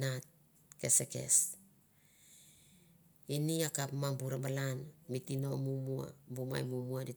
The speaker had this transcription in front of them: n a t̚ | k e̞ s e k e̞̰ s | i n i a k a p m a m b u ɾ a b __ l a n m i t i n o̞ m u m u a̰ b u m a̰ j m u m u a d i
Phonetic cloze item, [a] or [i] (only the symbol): a